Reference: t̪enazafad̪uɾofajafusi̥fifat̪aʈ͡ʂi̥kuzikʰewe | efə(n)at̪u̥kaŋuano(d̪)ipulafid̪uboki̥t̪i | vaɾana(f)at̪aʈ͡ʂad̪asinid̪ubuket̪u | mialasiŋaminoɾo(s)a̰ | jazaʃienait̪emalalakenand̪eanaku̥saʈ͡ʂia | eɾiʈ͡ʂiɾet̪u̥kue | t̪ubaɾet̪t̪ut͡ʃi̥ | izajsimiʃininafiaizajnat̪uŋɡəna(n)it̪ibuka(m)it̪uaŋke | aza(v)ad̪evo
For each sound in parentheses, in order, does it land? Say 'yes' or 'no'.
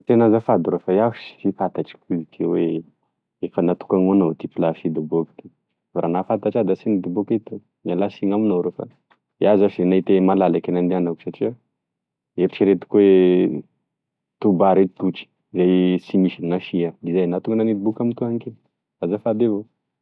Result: yes, no, yes, no, yes, yes, no

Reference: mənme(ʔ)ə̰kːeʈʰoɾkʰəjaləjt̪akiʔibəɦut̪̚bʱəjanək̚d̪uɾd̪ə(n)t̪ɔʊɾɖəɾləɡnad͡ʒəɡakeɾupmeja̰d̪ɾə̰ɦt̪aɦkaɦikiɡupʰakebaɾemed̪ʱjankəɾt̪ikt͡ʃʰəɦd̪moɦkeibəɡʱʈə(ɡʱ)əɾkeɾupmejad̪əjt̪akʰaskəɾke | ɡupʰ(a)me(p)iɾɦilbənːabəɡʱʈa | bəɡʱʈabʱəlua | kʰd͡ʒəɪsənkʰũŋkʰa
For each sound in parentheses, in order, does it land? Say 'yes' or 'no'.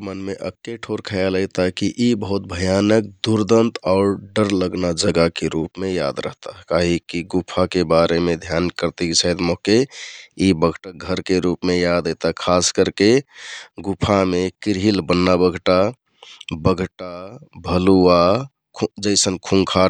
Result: yes, yes, yes, yes, no

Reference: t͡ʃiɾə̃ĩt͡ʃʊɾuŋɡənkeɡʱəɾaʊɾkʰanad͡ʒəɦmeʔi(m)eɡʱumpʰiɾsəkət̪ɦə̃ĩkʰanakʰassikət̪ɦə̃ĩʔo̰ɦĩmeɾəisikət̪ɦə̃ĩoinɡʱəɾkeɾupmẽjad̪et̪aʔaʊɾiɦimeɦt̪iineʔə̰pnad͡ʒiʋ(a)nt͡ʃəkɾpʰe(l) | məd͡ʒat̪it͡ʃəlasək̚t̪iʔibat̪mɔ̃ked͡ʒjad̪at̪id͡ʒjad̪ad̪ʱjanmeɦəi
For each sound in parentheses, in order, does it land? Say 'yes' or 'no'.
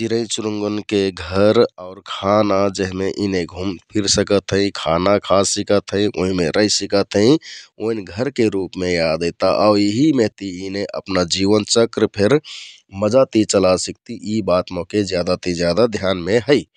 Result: no, no, no

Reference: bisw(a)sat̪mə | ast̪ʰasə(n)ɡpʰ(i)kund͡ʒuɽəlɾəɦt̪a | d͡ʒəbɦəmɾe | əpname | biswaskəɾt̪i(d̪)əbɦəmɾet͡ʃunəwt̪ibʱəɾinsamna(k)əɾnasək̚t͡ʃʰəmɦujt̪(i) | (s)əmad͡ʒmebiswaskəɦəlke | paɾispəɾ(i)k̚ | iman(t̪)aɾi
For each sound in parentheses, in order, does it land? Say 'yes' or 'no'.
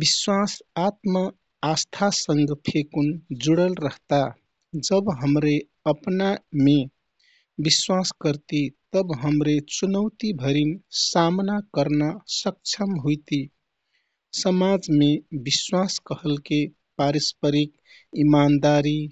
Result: yes, no, no, no, yes, yes, yes, yes, no

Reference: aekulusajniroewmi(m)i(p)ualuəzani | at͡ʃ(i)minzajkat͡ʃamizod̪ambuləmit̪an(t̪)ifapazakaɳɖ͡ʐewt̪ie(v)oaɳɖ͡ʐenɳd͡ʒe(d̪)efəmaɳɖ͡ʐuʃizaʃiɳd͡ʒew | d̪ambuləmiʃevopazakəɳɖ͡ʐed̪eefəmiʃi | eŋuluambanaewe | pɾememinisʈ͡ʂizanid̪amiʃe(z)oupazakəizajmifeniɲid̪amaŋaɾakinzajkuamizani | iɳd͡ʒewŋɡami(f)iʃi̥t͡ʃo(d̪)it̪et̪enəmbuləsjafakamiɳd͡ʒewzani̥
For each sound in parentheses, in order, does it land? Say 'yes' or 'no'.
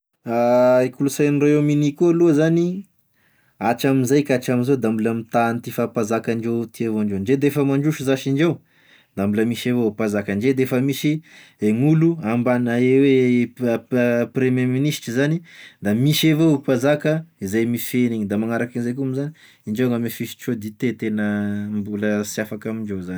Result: no, no, no, yes, yes, yes, no, yes, yes

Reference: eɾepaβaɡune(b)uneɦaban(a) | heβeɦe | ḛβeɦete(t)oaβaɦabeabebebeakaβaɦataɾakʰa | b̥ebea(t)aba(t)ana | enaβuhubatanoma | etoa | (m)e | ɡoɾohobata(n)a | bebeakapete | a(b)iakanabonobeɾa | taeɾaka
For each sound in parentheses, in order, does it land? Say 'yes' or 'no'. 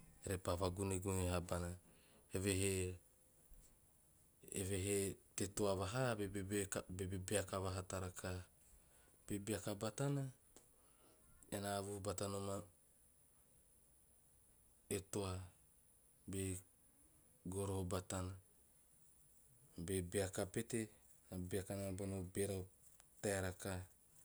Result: no, yes, yes, no, yes, no, yes, yes

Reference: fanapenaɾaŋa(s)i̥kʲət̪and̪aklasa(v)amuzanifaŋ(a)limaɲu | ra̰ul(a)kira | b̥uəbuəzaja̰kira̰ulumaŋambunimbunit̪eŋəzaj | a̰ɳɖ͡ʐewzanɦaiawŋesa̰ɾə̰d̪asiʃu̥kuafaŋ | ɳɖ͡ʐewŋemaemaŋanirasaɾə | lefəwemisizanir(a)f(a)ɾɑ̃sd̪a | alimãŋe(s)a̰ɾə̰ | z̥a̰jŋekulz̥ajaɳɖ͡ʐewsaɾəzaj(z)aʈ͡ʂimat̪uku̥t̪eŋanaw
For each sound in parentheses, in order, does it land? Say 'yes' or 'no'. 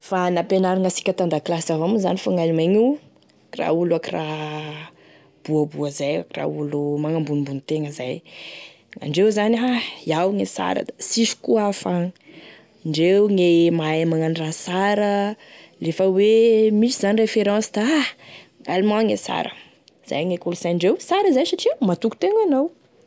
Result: yes, yes, yes, yes, no, no, yes, no

